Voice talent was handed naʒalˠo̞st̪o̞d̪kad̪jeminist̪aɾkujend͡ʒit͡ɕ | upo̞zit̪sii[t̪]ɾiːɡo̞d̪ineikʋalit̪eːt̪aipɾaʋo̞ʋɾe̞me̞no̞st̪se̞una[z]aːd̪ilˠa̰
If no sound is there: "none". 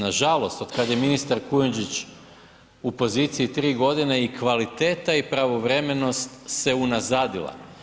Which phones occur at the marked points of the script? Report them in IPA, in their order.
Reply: t̪, z

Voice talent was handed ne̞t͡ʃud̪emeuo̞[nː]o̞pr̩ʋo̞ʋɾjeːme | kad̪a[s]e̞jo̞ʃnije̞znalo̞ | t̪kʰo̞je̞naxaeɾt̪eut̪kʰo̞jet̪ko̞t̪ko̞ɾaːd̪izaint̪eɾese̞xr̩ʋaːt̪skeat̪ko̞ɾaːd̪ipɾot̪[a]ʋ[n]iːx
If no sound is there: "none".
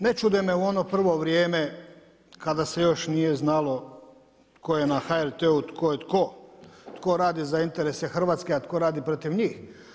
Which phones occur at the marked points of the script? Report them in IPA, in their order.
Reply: n, s, i, ɲ

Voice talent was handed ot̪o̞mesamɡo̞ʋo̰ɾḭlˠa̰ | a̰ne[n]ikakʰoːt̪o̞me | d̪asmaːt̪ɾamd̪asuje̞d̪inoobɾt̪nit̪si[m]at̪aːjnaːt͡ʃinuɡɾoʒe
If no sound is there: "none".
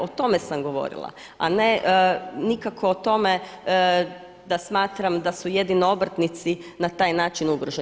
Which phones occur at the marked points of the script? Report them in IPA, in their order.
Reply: n, n

